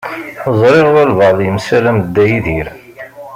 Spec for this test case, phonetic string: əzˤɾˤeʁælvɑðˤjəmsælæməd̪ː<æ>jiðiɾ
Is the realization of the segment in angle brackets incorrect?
no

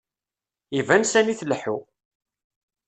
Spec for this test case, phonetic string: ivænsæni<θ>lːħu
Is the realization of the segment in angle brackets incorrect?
no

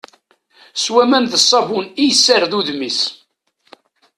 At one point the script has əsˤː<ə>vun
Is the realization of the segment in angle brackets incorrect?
yes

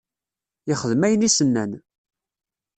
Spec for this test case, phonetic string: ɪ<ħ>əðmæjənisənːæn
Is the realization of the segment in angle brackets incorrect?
yes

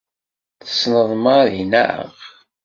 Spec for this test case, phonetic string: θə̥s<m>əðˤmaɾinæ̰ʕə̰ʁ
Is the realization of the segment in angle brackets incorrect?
yes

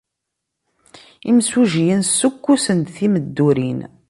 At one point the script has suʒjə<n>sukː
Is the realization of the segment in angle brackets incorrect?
no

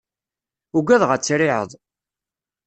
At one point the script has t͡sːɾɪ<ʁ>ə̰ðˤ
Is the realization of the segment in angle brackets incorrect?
yes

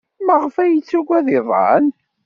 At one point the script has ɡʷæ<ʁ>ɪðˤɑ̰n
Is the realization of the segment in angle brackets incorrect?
yes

